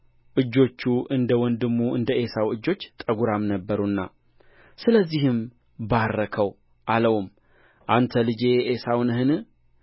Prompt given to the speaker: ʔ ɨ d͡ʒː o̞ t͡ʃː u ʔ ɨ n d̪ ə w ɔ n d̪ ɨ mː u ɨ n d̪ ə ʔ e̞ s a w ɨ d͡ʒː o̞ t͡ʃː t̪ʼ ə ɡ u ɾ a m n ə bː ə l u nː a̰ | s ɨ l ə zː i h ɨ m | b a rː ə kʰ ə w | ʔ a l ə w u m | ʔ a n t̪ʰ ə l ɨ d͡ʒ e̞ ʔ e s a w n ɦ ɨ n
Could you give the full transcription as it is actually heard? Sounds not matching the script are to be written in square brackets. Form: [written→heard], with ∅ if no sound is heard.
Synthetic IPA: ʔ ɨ d͡ʒː o̞ t͡ʃː u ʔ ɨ n d̪ ə w ɔ n d̪ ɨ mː u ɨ n d̪ ə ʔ e̞ s a w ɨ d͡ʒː o̞ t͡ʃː t̪ʼ ə ɡ u ɾ a m n ə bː ə [l→ɾ] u nː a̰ | s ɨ l ə zː i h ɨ m | b a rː ə kʰ ə w | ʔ a l ə w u m | ʔ a n t̪ʰ ə l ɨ d͡ʒ e̞ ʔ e s a w n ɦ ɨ n